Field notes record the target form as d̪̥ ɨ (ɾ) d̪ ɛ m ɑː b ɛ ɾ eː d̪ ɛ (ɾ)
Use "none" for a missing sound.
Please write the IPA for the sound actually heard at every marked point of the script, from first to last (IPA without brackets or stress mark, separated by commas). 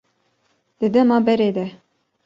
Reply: none, none